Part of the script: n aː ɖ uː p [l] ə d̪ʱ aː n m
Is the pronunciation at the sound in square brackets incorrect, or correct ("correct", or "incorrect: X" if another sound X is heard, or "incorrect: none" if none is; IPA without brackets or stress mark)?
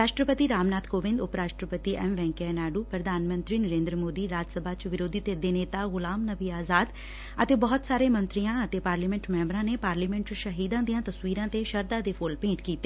incorrect: ɾ